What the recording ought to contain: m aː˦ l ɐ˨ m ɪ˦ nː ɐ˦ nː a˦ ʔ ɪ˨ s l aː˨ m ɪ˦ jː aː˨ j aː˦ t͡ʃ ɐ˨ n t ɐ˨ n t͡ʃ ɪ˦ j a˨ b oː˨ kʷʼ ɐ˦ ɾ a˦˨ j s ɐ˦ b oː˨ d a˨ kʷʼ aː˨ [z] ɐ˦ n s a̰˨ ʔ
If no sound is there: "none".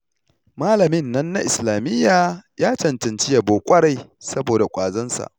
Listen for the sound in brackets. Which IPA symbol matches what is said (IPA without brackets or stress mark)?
z